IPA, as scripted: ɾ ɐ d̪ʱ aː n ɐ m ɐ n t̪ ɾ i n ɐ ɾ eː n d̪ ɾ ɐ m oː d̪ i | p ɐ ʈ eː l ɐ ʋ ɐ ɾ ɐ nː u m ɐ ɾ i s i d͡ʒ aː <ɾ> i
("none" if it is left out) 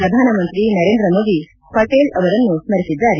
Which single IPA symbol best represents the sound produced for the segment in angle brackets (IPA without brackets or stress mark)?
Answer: ɾ